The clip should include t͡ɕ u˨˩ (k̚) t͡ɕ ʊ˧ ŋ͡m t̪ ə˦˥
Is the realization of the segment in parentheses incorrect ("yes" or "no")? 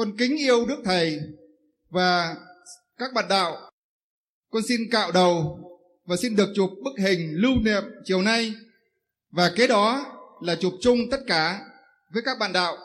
yes